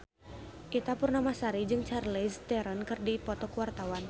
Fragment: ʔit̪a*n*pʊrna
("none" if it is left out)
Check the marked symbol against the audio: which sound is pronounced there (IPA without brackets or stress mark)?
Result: none